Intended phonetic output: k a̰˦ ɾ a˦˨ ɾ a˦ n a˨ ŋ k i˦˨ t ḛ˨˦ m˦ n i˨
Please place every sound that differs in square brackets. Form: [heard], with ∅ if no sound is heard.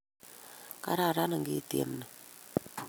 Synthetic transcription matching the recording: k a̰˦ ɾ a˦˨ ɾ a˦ n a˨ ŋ [ɡ] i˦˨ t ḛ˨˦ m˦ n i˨